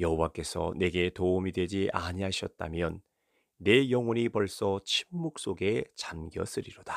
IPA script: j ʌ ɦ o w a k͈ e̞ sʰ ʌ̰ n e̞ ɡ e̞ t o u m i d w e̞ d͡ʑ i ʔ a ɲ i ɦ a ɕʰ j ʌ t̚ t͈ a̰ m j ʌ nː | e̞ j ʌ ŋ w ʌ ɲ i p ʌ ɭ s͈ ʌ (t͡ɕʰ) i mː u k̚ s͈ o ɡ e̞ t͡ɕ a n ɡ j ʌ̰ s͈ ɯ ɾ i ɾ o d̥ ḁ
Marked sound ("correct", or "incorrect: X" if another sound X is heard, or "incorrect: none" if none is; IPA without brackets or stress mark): correct